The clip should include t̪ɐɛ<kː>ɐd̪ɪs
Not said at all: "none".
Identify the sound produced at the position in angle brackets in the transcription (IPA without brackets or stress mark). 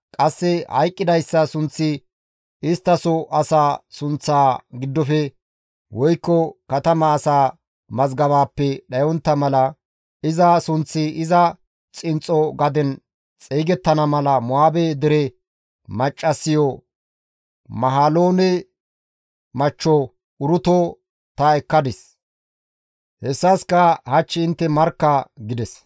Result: kː